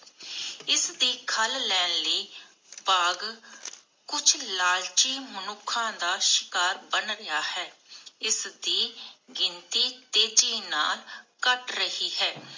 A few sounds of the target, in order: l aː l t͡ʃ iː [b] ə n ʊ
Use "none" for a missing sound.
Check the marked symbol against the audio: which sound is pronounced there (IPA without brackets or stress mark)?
m